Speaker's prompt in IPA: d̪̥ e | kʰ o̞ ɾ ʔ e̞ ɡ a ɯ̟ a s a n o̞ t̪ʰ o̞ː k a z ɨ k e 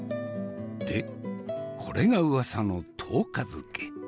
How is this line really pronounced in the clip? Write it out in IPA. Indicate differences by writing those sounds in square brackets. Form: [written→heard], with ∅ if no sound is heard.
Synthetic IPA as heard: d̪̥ e | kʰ o̞ ɾ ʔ e̞ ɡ a ɯ̟ a s a n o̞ t̪ʰ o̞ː k a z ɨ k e